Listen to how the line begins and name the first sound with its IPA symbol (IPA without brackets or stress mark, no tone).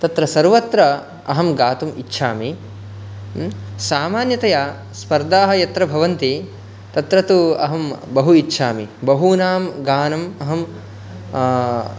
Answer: t̪